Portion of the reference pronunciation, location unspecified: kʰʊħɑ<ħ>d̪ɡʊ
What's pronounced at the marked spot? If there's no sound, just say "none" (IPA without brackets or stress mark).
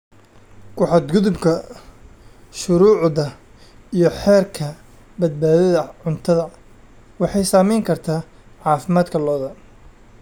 none